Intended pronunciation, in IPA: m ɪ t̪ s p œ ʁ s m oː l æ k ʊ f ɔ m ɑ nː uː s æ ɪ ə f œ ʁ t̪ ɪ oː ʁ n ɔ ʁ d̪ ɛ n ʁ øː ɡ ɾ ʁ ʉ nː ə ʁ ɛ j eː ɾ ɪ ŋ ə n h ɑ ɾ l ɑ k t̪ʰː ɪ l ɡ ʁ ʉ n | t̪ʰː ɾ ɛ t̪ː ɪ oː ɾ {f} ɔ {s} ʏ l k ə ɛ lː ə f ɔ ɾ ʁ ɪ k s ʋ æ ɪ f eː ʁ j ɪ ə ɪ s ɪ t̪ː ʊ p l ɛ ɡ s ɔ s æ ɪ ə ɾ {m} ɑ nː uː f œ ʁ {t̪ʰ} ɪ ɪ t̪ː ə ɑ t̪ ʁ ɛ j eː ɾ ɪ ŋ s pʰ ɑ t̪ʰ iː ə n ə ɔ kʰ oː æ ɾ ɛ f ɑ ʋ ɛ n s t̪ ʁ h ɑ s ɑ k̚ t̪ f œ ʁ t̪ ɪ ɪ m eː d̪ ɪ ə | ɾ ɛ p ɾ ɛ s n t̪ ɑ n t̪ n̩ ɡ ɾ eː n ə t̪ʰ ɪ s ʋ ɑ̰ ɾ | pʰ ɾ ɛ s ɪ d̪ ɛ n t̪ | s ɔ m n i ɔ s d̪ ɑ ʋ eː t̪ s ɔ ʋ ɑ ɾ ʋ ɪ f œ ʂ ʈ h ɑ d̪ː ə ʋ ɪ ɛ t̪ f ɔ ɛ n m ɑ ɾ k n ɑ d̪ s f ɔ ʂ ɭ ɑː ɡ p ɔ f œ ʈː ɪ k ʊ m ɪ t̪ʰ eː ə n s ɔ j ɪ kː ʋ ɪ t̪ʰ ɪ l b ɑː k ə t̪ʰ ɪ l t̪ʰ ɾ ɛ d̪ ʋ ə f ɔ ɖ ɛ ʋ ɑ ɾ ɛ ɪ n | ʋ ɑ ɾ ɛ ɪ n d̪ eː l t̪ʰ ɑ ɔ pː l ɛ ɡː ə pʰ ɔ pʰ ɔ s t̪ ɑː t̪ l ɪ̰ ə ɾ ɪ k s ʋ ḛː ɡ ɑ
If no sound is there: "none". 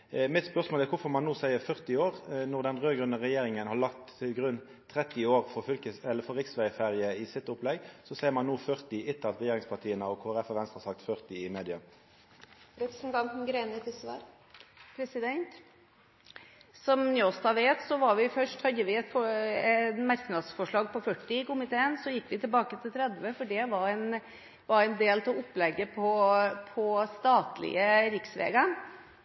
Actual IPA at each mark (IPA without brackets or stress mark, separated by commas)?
f, f, m, t̪